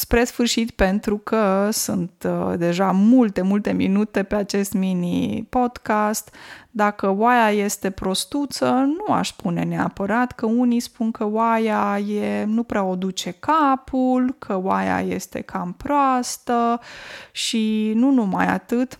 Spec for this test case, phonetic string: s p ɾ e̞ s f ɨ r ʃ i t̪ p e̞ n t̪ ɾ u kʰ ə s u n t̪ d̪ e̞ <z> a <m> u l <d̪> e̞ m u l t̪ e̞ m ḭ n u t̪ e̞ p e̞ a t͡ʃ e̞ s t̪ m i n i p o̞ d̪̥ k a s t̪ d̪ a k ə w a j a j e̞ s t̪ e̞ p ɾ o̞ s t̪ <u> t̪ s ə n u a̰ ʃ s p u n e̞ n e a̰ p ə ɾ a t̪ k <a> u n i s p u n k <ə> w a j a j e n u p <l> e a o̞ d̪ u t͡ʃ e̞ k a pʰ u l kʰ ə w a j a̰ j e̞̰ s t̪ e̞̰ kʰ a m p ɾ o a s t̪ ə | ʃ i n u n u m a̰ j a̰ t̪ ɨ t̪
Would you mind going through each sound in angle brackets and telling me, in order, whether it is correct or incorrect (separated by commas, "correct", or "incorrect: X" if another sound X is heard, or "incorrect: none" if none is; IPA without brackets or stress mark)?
incorrect: ʒ, correct, incorrect: t̪, correct, incorrect: ə, correct, incorrect: ɾ